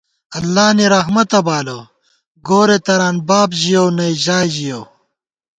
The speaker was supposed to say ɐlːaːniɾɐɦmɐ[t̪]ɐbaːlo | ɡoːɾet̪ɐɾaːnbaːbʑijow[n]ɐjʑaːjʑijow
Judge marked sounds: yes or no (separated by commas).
yes, yes